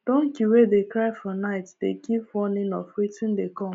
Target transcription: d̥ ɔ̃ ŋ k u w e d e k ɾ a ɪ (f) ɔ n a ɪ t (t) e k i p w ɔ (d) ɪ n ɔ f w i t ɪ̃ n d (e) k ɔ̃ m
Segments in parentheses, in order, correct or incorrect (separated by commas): correct, incorrect, incorrect, correct